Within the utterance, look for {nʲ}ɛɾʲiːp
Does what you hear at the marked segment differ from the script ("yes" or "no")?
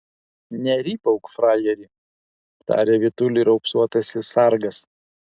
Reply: no